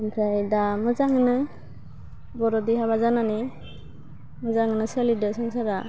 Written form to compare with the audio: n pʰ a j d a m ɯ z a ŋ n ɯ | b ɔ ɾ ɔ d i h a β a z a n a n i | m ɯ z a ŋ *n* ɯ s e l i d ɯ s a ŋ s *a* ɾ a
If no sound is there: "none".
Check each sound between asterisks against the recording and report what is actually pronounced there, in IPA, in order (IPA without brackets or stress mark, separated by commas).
n, a